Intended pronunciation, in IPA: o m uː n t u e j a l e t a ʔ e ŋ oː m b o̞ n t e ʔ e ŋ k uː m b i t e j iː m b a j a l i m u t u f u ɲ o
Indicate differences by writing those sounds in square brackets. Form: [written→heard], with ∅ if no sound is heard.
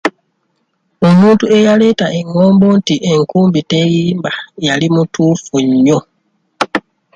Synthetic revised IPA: o m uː n t u e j a l e t a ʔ e ŋ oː m b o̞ n t [e→i] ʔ e ŋ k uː m b i t e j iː m b a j a l i m u t u f u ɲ o